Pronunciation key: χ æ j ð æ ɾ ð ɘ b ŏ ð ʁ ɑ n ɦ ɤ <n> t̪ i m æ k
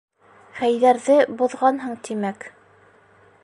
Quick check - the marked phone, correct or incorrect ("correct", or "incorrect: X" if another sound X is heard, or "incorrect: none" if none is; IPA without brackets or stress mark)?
incorrect: ɴ